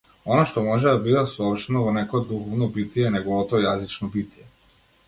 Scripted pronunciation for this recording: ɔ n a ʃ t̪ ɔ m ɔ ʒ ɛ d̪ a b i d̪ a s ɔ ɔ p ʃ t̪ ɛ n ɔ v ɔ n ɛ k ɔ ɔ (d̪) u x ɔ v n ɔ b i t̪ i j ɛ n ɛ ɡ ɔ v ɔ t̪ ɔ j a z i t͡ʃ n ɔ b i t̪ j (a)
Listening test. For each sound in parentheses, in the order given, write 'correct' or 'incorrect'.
correct, incorrect

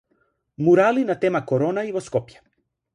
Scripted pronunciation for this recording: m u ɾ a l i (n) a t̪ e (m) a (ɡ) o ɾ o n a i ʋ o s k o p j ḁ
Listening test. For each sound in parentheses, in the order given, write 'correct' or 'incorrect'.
correct, correct, incorrect

